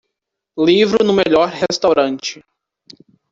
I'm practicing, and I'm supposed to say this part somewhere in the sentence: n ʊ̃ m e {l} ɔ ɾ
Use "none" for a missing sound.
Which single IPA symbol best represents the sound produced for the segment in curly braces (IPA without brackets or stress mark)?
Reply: ʎ